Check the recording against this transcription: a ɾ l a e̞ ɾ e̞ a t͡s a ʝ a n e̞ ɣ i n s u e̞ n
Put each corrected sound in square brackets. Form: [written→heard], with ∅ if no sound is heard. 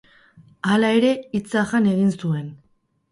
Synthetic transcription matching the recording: a [ɾ→∅] l a e̞ ɾ e̞ [a→i] t͡s a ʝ a n e̞ ɣ i n s u e̞ n